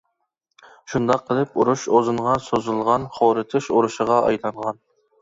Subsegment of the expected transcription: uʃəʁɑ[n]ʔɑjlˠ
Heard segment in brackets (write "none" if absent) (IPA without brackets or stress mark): none